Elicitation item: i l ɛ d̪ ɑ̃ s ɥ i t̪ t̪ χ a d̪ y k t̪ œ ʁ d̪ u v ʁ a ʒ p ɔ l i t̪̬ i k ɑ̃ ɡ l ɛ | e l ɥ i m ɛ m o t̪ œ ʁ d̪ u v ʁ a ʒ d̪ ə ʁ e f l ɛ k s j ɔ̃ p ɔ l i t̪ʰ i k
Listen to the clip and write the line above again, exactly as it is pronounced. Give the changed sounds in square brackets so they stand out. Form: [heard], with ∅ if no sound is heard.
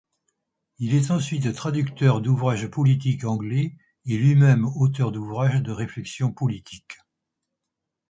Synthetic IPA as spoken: i l ɛ [t̪] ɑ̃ s ɥ i t̪ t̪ χ a d̪ y k t̪ œ ʁ d̪ u v ʁ a ʒ p ɔ l i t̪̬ i k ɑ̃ ɡ l ɛ | e l ɥ i m ɛ m o t̪ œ ʁ d̪ u v ʁ a ʒ d̪ ə ʁ e f l ɛ k s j ɔ̃ p ɔ l i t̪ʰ i k